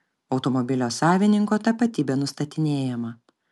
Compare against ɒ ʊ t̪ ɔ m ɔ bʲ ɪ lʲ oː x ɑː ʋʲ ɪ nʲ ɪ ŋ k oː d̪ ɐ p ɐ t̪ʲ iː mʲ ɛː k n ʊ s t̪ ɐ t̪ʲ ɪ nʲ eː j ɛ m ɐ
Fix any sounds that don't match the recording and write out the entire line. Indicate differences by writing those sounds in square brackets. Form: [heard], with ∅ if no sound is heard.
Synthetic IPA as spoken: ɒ ʊ t̪ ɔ m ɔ bʲ ɪ lʲ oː [s] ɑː ʋʲ ɪ nʲ ɪ ŋ k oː [t̪] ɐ p ɐ t̪ʲ iː [bʲ] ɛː [∅] n ʊ s t̪ ɐ t̪ʲ ɪ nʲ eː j ɛ m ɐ